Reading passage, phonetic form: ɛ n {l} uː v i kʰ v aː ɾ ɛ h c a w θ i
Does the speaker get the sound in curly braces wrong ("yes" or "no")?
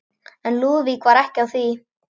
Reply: no